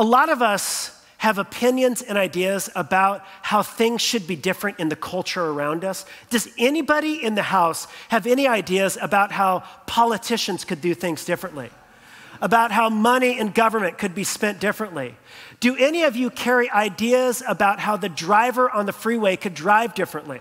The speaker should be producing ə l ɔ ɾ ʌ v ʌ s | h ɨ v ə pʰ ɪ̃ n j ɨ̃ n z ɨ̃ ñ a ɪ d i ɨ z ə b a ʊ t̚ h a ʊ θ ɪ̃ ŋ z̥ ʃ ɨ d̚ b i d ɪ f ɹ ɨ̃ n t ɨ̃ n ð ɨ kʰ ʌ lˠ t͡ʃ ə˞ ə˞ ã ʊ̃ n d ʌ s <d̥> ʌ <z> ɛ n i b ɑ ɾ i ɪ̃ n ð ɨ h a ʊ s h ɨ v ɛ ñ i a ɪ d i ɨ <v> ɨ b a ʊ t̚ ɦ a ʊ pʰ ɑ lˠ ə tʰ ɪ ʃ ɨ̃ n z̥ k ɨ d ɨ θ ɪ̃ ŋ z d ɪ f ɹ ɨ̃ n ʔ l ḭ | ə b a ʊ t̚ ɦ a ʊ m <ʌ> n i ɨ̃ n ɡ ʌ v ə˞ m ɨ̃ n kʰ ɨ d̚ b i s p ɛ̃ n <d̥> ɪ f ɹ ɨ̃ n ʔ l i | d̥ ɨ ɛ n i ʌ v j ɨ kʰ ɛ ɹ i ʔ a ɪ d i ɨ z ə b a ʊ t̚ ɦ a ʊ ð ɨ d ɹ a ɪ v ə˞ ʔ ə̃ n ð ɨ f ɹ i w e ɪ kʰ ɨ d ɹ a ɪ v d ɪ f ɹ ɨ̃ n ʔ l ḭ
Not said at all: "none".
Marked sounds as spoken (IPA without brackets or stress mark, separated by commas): d̥, z, z, ʌ, d̥